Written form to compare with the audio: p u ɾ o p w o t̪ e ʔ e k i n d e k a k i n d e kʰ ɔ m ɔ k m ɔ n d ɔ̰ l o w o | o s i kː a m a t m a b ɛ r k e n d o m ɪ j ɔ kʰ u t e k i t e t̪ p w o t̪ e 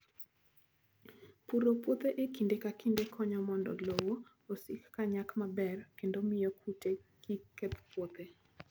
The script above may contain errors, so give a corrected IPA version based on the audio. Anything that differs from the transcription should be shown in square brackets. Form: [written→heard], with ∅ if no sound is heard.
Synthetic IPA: p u ɾ o p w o t̪ e ʔ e k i n d e k a k i n d e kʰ ɔ [m→ɲ] ɔ [k→∅] m ɔ n d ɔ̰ l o w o | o s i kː a [m→ɲ] a [t→k] m a b ɛ r k e n d o m ɪ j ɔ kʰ u t e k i [t→k] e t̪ p w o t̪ e